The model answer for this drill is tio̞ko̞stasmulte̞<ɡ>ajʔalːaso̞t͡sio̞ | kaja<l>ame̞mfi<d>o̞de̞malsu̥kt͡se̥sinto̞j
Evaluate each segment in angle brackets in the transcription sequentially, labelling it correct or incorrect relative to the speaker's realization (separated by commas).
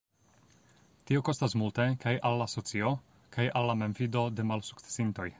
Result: incorrect, incorrect, correct